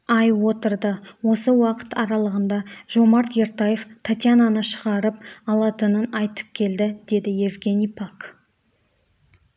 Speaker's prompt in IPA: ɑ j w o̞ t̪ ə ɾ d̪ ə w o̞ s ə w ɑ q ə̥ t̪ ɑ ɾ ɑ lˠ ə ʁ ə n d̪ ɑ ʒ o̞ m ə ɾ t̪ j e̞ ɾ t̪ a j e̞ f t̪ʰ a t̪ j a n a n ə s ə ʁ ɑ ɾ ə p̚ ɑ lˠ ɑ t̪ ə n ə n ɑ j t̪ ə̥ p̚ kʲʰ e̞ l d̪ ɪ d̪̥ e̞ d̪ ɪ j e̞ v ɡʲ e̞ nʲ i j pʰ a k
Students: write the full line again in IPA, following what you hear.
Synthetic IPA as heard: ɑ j w o̞ t̪ ə ɾ d̪ ə w o̞ s ə w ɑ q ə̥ t̪ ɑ ɾ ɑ lˠ ə ʁ ə n d̪ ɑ ʒ o̞ m ɑ ɾ t̪ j e̞ ɾ t̪ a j e̞ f t̪ʰ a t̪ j a n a n ə ʃ ə ʁ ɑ ɾ ə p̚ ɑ lˠ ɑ t̪ ə n ə n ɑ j t̪ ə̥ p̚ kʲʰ e̞ l d̪ ɪ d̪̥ e̞ d̪ ɪ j e̞ v ɡʲ e̞ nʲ i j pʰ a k